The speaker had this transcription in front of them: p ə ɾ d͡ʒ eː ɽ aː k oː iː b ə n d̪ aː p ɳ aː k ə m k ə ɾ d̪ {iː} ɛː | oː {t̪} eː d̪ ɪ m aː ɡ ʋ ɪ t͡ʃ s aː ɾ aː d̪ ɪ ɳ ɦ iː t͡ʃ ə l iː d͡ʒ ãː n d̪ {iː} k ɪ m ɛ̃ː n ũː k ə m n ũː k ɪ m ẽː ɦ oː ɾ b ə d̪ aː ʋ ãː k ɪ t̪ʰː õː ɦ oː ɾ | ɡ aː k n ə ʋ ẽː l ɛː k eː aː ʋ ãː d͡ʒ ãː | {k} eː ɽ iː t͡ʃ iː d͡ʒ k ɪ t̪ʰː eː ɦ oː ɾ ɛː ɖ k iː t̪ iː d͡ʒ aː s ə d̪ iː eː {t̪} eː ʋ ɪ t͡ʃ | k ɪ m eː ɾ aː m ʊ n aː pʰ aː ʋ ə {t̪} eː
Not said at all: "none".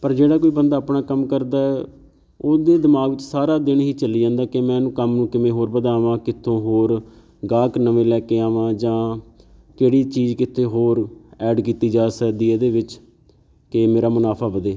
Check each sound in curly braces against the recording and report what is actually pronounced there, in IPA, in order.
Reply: aː, d̪, aː, k, d̪, d̪

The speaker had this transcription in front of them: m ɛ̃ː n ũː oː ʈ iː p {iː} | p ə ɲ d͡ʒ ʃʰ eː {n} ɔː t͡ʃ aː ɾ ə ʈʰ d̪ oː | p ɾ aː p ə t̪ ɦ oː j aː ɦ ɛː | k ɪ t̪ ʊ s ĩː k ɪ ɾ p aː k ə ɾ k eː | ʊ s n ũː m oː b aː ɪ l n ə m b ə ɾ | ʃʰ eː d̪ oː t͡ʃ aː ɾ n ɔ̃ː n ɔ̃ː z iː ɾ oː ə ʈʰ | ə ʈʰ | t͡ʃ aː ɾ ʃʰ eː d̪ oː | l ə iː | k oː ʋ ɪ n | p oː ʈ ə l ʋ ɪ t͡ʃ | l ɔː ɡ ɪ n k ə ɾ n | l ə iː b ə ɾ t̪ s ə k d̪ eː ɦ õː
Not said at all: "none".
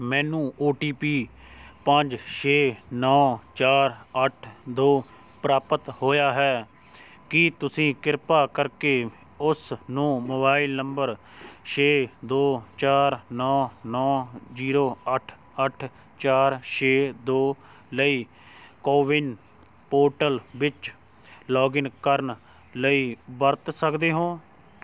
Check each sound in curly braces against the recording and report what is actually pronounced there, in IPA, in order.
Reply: iː, n

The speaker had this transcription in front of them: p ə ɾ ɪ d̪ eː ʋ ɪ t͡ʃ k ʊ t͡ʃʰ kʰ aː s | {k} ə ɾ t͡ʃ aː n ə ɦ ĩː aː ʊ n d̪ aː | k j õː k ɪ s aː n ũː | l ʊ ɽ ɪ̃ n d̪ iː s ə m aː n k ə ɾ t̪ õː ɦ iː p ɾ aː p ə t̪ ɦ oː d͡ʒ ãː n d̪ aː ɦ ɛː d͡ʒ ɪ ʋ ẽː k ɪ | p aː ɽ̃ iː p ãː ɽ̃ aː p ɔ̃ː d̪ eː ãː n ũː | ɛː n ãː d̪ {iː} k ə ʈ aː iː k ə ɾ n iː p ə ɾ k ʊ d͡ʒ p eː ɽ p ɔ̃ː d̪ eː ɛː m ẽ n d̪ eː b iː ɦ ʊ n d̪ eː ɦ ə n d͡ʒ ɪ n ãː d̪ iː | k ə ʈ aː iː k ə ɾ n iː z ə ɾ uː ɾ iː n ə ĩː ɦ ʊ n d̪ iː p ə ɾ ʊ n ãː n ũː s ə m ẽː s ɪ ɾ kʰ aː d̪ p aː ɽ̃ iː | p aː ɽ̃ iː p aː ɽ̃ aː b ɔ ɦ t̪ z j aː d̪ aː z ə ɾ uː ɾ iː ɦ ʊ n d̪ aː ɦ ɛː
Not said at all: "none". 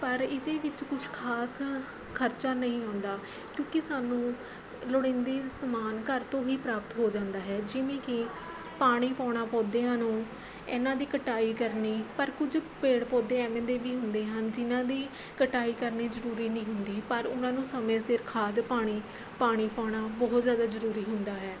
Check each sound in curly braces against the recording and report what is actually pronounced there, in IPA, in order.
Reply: kʰ, iː

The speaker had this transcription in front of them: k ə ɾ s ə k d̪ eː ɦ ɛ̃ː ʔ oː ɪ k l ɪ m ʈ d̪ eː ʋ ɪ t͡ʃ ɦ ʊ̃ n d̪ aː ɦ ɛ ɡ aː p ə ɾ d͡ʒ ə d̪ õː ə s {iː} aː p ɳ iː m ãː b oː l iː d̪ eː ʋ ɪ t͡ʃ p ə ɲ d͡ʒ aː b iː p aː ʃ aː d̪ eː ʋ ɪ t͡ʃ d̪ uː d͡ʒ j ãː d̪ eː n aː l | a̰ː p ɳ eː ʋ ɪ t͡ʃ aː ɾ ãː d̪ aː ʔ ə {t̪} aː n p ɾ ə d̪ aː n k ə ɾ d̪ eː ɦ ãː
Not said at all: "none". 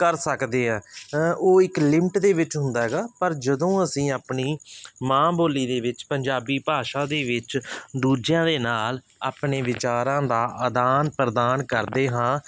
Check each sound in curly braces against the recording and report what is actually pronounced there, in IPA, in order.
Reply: ĩː, d̪

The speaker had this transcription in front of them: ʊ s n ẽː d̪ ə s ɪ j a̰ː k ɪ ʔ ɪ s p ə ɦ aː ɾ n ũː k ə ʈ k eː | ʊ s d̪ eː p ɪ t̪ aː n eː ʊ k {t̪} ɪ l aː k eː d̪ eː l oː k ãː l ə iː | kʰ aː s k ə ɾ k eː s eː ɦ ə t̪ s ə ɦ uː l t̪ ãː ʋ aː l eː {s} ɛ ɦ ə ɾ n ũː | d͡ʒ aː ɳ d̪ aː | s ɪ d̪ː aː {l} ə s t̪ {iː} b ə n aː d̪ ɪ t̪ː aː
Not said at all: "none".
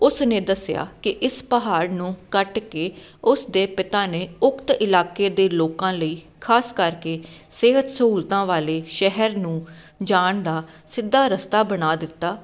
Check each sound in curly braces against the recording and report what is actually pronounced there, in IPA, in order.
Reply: t̪, ʃ, ɾ, aː

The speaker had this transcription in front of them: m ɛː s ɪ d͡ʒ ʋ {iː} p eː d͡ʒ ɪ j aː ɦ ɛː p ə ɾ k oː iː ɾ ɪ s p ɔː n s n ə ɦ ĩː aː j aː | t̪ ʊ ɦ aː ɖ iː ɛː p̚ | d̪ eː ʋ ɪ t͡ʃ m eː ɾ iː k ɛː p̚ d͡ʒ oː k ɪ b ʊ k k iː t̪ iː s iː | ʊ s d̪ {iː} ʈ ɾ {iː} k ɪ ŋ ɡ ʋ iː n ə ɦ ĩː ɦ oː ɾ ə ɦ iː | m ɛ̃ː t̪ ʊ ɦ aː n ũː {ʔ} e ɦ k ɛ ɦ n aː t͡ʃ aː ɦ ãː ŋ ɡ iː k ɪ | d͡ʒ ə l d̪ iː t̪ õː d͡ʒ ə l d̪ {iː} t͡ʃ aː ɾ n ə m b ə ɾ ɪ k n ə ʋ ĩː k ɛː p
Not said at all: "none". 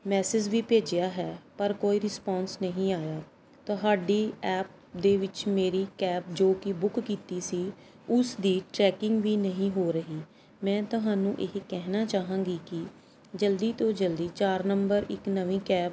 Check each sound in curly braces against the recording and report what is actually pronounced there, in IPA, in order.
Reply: iː, iː, ɛː, ʔ, iː

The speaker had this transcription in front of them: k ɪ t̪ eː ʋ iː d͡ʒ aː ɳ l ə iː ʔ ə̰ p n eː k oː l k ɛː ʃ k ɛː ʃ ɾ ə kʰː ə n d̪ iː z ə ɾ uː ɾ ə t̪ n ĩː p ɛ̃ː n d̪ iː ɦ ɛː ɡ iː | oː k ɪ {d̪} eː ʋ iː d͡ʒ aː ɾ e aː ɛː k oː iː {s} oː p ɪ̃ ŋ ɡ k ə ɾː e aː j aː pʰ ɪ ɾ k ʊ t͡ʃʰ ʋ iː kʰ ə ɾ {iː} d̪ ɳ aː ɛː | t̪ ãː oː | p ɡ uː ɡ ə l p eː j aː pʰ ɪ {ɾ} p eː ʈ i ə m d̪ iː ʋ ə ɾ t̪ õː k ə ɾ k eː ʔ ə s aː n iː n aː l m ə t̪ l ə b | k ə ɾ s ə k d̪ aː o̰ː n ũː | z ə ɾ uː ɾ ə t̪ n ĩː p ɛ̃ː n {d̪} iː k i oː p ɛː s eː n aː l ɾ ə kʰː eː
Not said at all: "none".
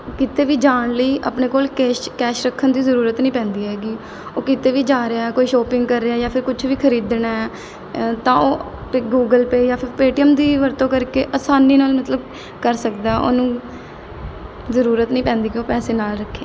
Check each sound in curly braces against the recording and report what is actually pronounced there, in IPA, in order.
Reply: t̪, ʃ, iː, ɾ, d̪

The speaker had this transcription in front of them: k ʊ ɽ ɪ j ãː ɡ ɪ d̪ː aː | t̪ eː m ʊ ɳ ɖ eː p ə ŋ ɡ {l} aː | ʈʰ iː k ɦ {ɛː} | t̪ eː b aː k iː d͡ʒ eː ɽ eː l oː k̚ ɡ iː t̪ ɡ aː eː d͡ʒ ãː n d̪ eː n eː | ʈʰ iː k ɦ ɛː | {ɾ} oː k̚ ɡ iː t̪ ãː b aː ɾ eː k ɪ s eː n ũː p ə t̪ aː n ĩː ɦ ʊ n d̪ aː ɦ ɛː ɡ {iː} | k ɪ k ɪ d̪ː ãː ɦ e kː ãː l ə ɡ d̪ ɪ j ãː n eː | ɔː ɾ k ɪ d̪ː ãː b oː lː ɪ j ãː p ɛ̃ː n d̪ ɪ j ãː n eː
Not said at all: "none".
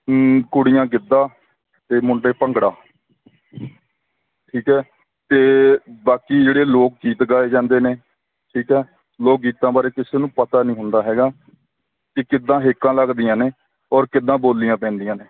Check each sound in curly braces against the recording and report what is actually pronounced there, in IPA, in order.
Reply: ɽ, ɛː, l, aː

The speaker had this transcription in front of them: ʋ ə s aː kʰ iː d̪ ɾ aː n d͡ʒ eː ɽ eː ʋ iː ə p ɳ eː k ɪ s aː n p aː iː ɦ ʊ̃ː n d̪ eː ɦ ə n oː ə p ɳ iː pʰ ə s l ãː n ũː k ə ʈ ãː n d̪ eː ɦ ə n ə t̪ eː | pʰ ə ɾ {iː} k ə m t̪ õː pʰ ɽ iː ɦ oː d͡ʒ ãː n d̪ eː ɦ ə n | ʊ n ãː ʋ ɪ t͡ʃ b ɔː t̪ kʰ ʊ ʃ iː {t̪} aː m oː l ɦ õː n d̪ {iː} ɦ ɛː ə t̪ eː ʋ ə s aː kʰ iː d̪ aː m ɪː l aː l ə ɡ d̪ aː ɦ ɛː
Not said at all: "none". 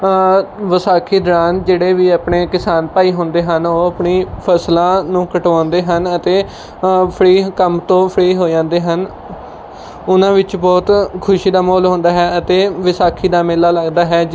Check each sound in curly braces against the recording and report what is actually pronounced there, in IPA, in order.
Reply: iː, d̪, aː

